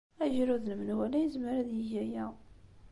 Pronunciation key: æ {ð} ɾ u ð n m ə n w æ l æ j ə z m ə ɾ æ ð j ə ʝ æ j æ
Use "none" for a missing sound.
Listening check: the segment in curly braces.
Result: ʒ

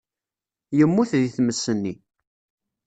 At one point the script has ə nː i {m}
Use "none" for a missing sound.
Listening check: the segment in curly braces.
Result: none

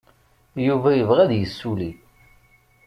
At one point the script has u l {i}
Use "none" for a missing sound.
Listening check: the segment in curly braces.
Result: i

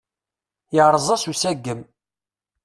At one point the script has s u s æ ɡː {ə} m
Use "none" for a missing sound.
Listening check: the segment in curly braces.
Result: ə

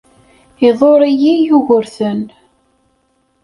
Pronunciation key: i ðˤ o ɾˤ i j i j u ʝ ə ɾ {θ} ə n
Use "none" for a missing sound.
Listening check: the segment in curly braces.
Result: θ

